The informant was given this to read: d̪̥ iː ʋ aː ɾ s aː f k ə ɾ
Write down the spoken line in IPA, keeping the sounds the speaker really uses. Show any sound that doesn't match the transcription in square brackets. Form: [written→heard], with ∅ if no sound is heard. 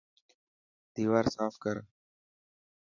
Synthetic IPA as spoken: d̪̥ iː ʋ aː ɾ s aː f k ə ɾ